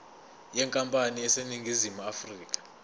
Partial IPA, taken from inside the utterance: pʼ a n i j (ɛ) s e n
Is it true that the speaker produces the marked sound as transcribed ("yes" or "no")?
yes